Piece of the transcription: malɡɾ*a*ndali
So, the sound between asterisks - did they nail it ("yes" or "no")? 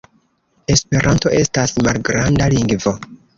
yes